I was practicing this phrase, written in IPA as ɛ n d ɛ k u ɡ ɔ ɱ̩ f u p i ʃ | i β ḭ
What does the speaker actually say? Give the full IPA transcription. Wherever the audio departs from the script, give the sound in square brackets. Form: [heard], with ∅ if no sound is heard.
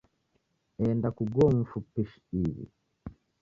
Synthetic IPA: ɛ n d [a] k u ɡ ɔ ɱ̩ f u p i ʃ | i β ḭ